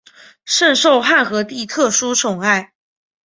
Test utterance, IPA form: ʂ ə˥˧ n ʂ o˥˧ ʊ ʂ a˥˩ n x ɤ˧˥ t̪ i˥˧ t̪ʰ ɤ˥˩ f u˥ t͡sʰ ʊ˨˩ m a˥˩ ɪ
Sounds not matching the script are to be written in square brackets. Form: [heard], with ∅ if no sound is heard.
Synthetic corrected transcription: ʂ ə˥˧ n ʂ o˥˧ ʊ [x] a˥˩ n x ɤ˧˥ t̪ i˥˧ t̪ʰ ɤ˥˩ [ʂ] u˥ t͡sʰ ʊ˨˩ [ŋ] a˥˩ ɪ

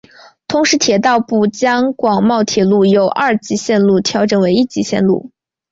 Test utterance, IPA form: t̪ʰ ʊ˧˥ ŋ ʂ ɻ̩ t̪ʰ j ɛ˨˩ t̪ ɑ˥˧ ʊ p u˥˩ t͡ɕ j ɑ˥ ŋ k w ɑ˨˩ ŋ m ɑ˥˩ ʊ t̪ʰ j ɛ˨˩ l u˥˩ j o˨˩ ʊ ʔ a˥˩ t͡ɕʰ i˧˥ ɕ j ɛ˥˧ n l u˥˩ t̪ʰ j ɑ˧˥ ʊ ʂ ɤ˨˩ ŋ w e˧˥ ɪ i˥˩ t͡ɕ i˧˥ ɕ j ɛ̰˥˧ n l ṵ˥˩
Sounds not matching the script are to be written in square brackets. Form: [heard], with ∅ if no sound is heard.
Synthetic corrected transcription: t̪ʰ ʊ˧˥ ŋ ʂ ɻ̩ t̪ʰ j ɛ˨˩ t̪ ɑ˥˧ ʊ p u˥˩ t͡ɕ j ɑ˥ ŋ k w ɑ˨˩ ŋ m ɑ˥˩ ʊ t̪ʰ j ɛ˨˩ l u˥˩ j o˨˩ ʊ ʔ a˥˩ [t͡ɕ] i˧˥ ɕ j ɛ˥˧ n l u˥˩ t̪ʰ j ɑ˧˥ ʊ [ʈ͡ʂ] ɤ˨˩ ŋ w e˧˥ ɪ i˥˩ t͡ɕ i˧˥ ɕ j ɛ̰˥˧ n l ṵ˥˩

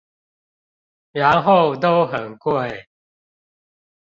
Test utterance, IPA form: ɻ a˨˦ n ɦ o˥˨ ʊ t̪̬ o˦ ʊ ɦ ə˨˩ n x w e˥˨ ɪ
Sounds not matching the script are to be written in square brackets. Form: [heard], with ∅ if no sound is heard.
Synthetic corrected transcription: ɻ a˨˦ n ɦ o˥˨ ʊ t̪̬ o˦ ʊ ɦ ə˨˩ n [k] w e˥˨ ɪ

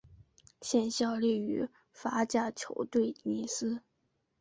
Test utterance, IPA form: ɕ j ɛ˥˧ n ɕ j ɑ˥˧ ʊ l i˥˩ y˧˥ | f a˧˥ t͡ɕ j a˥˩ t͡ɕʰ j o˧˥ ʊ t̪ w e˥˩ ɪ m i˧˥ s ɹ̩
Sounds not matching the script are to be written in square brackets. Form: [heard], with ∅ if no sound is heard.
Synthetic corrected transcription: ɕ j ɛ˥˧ n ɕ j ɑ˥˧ ʊ l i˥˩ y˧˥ | f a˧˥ t͡ɕ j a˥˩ t͡ɕʰ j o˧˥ ʊ t̪ w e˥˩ ɪ [n] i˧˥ s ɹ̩

